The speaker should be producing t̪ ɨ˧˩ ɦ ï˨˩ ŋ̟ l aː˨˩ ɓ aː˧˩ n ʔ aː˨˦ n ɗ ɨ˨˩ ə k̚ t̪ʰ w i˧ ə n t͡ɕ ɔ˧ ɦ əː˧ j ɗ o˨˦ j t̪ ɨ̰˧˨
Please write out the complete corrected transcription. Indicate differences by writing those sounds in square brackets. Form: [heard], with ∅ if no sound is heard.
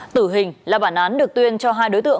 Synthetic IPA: t̪ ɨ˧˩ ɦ ï˨˩ ŋ̟ l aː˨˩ ɓ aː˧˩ n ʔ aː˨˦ n ɗ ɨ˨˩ ə k̚ [t̪] w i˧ ə n t͡ɕ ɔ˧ ɦ [aː˧] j ɗ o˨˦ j t̪ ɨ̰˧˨